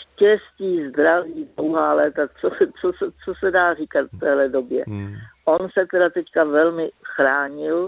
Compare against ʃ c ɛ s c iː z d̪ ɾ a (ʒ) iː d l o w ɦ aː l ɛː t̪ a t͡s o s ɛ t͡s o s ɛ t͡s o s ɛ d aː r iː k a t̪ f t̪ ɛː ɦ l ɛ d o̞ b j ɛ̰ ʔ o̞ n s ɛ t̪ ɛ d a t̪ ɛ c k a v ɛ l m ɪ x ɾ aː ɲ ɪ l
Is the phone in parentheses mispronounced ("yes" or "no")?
yes